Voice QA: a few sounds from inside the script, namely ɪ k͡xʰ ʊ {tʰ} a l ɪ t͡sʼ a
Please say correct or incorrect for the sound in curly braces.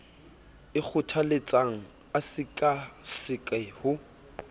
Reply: correct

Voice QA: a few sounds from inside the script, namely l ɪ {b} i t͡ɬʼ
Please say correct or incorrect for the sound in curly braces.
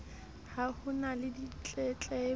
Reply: incorrect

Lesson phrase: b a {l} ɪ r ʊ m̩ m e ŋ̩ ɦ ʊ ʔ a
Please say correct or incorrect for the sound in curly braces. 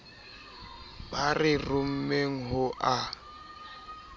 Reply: incorrect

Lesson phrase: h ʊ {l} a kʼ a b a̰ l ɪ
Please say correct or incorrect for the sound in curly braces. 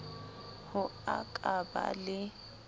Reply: incorrect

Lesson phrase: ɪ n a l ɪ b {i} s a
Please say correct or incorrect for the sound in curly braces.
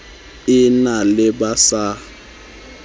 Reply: incorrect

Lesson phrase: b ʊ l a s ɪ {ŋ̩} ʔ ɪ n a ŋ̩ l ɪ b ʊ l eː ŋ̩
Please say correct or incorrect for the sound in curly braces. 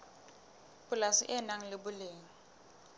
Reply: incorrect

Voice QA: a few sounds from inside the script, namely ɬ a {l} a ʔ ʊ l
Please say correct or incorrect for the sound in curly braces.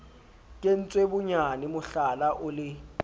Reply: correct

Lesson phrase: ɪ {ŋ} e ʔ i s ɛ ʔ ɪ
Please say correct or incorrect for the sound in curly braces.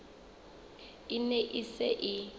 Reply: incorrect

